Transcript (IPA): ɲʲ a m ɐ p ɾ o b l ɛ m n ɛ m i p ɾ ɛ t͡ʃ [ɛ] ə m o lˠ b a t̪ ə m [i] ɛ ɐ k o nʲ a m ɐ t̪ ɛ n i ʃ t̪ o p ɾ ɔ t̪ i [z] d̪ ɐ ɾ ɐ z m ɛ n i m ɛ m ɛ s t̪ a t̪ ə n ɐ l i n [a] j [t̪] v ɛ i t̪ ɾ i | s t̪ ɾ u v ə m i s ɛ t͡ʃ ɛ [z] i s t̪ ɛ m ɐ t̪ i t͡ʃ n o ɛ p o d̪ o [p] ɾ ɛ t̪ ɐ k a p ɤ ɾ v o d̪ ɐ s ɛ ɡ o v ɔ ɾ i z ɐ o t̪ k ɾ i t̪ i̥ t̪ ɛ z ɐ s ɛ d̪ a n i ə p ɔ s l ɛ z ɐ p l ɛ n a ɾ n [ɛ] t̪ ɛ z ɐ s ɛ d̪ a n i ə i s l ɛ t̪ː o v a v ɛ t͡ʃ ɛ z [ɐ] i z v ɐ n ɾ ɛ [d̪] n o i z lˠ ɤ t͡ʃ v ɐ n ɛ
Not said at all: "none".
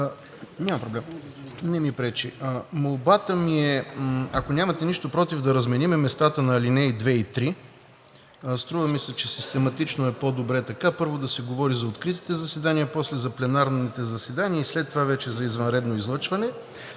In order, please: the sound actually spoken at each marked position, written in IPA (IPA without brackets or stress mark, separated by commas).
i, i, v, ɛ, d̪, s, b, i, ɐ, d̪